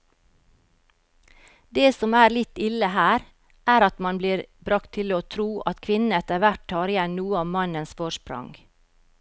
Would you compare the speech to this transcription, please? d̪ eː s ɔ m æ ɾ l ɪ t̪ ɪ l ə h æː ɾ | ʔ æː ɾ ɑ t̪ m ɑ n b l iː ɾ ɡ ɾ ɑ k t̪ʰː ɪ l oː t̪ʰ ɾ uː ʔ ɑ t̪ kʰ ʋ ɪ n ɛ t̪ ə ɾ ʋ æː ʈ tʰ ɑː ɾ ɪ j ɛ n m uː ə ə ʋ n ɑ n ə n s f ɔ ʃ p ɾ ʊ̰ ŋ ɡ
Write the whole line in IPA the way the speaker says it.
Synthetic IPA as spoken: d̪ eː s ɔ m æː ɾ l ɪ t̪ ɪ l ə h æː ɾ | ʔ æː ɾ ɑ t̪ m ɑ n b l iː ɾ b ɾ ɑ k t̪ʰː ɪ l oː t̪ʰ ɾ uː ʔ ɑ t̪ kʰ ʋ ɪ n ɛ t̪ ə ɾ ʋ æ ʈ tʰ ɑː ɾ ɪ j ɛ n n uː ə ɑ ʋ m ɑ n ə n s f ɔ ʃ p ɾ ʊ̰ ŋ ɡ